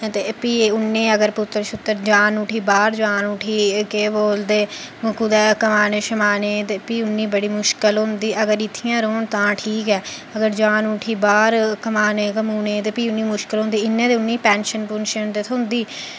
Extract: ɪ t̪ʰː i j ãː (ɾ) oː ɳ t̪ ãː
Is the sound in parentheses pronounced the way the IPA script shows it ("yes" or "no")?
yes